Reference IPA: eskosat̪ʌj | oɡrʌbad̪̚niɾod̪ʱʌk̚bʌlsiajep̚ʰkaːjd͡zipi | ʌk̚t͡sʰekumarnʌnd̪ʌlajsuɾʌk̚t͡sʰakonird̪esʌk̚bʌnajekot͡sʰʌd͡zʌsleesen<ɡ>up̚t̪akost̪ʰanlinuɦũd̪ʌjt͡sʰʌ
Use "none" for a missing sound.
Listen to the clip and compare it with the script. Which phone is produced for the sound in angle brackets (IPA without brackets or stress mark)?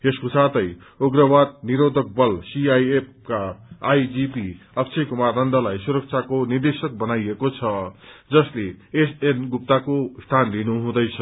ɡ